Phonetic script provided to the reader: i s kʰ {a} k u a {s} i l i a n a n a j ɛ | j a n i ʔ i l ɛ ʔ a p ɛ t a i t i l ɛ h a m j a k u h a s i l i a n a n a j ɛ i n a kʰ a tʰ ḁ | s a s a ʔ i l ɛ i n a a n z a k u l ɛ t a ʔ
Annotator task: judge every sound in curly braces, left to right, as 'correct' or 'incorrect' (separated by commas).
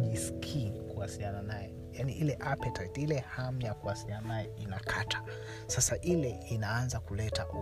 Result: incorrect, correct